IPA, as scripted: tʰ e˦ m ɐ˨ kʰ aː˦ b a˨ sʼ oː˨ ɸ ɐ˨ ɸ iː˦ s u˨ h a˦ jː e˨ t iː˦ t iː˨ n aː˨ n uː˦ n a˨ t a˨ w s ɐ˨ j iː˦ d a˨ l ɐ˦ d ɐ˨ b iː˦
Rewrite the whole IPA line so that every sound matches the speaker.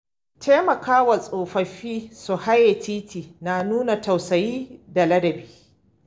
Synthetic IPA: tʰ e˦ m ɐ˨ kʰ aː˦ w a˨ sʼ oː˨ ɸ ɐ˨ ɸ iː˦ s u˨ h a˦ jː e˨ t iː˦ t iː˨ n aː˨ n uː˦ n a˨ t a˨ w s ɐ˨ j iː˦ d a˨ l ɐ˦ d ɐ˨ b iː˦